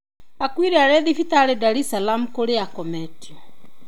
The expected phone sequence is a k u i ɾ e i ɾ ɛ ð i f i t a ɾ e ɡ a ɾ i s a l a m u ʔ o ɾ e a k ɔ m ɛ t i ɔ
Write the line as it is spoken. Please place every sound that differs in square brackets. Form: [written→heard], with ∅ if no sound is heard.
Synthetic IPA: a k [u→w] i ɾ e [i→a] ɾ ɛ ð i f i t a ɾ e [ɡ→d] a ɾ i s a l a m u [ʔ→k] o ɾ e a k ɔ m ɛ t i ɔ